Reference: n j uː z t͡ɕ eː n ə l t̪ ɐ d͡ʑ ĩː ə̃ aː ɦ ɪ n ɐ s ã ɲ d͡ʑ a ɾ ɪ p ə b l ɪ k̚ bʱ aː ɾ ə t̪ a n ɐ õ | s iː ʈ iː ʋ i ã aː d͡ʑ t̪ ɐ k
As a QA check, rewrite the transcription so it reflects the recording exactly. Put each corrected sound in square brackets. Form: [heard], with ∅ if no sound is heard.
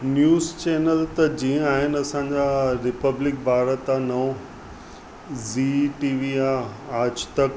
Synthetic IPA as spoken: n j uː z t͡ɕ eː n ə l t̪ ɐ d͡ʑ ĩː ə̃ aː ɦ ɪ n ɐ s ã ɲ d͡ʑ a ɾ ɪ p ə b l ɪ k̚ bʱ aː ɾ ə t̪ a n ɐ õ | [z] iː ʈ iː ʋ i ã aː d͡ʑ t̪ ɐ k